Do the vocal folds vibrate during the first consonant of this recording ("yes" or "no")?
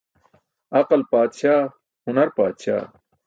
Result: no